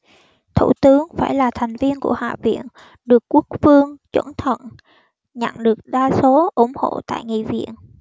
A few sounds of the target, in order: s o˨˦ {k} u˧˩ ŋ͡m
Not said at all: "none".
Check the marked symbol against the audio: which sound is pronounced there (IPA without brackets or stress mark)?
ʔ